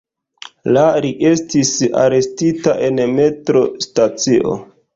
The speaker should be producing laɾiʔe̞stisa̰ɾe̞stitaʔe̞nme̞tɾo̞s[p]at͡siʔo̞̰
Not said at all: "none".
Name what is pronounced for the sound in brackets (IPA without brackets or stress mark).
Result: t